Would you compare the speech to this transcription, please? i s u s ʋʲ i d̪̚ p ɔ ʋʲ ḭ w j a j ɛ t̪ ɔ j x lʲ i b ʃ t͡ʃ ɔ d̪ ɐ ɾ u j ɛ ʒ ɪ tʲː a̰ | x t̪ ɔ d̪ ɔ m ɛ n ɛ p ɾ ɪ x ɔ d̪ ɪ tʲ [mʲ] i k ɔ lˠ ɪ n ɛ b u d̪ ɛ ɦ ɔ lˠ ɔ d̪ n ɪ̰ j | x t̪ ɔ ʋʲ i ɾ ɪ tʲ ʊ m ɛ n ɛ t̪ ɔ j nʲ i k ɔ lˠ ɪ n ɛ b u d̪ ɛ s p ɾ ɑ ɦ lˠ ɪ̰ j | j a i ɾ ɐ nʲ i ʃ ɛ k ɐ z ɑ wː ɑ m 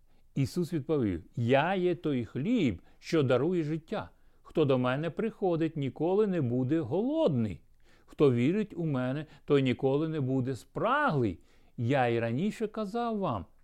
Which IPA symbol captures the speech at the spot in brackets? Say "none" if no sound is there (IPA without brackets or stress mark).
nʲ